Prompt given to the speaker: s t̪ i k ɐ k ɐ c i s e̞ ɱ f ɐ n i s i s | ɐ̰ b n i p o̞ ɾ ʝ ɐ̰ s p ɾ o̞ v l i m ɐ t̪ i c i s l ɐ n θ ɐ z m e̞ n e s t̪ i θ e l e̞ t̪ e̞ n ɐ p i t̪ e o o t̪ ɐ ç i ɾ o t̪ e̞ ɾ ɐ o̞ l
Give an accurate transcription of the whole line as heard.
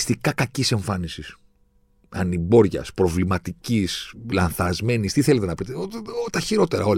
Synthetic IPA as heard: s t̪ i k ɐ k ɐ c i s e̞ ɱ f ɐ n i s i s | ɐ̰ n i b o̞ ɾ ʝ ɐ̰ s p ɾ o̞ v l i m ɐ t̪ i c i s l ɐ n θ ɐ z m e̞ n i s t̪ i θ e l e̞ t̪ e̞ n ɐ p i t̪ e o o t̪ ɐ ç i ɾ o t̪ e̞ ɾ ɐ o̞ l